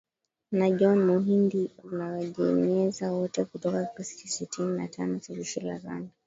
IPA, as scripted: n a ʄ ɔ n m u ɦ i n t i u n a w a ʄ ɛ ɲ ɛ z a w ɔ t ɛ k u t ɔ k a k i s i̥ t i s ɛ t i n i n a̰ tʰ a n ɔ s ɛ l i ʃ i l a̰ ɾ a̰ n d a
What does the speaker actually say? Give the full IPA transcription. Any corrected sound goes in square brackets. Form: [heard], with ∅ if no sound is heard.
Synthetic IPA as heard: n a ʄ ɔ n m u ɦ i n [d] i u n a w a ʄ ɛ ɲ ɛ z a w ɔ t ɛ k u t ɔ k a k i s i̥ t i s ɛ t i n i n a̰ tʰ a n ɔ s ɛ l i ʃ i l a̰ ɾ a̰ n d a